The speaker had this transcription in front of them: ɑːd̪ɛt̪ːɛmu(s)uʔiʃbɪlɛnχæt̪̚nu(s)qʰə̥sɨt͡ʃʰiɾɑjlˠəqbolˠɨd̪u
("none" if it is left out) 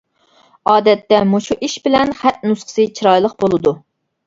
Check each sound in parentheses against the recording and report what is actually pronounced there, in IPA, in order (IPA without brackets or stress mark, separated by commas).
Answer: ʃ, s